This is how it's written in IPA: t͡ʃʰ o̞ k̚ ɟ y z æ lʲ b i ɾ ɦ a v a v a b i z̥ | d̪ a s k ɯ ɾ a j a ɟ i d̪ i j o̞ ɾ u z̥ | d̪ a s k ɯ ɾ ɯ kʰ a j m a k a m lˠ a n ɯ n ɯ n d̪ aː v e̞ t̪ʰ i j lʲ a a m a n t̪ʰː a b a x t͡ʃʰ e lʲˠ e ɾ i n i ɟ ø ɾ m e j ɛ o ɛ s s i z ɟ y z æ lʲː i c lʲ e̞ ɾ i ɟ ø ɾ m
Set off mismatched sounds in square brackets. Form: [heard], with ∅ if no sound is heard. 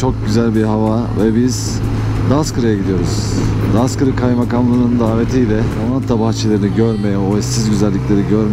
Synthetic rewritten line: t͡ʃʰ o̞ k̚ ɟ y z æ lʲ b i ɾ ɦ a v a v [ɛ] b i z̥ | d̪ a s k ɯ ɾ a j a ɟ i d̪ i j o̞ ɾ u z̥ | d̪ a s k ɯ ɾ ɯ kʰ a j m a k a m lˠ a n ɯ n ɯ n d̪ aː v e̞ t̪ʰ i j lʲ [ɛ] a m a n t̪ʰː a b a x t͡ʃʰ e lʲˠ e ɾ i n i ɟ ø ɾ m e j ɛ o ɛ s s i z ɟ y z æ lʲː i c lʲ e̞ ɾ i ɟ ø ɾ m